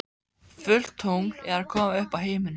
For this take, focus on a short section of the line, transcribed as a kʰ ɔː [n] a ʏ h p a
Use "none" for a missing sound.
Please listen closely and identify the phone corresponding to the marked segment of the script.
m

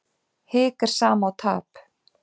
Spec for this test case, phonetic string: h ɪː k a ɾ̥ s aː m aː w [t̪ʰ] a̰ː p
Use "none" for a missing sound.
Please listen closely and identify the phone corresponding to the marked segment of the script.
t̪ʰ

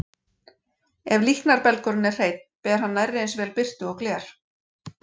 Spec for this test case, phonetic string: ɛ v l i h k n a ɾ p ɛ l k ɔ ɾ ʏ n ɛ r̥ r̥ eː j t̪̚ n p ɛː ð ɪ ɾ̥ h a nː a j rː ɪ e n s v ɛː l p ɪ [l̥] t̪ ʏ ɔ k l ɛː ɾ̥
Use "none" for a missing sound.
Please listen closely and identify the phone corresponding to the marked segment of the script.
r̥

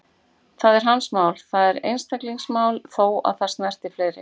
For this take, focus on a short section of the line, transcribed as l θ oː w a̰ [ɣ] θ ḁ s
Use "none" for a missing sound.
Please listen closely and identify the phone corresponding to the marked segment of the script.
ð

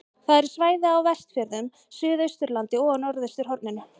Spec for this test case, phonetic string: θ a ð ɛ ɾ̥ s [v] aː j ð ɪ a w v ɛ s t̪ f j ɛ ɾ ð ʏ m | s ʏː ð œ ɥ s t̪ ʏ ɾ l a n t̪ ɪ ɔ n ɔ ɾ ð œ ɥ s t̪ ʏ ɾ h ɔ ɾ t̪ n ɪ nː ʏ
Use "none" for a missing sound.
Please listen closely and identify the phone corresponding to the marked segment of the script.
v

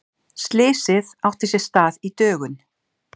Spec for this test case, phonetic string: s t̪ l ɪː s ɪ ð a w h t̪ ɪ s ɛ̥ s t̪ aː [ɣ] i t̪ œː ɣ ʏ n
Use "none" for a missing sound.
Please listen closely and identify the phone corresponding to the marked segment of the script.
ð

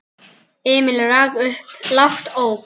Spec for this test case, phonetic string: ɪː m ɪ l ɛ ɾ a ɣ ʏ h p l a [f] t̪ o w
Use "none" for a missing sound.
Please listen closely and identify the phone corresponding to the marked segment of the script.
f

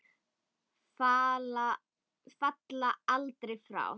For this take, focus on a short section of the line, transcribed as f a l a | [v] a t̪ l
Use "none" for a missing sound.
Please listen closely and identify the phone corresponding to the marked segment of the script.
f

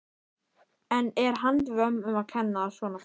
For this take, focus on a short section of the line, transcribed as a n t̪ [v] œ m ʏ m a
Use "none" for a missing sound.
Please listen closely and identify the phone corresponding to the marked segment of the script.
v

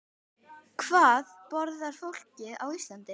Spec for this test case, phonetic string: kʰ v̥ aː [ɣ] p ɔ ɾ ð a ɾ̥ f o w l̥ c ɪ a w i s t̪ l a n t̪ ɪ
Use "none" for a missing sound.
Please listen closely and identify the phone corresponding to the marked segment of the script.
ð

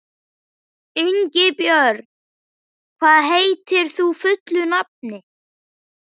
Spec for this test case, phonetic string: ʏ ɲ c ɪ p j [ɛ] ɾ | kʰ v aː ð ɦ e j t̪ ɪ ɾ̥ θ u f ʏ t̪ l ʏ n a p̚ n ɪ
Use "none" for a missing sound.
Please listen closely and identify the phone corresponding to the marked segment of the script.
œ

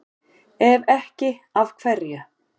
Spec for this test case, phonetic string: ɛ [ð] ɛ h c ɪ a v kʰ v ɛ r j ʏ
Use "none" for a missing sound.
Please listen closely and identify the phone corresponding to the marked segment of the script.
v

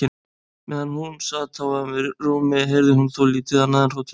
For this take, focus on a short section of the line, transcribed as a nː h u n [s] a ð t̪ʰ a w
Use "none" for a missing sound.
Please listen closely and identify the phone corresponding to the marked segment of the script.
s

